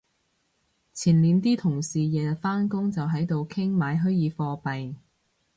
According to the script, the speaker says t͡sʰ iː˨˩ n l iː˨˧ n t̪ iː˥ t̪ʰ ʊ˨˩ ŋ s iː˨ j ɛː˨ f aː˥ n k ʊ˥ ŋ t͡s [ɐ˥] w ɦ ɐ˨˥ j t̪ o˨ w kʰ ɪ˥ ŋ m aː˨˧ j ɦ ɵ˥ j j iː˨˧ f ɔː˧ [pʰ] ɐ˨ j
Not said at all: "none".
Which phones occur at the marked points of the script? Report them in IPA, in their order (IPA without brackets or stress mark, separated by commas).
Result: ɐ˨, p